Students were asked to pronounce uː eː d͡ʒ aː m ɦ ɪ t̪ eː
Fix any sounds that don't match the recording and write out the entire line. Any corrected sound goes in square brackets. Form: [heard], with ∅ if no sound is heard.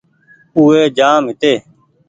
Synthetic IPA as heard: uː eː d͡ʒ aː m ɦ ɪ t̪ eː